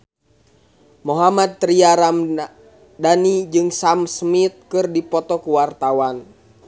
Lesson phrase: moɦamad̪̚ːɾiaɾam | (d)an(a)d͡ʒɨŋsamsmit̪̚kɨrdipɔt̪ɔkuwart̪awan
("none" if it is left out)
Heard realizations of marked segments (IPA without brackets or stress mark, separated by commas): d, i